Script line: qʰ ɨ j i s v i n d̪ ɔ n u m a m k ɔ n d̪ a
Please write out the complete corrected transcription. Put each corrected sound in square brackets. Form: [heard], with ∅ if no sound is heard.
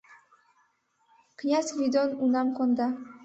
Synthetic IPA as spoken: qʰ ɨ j [a] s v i [∅] d̪ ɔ n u [n] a m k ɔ n d̪ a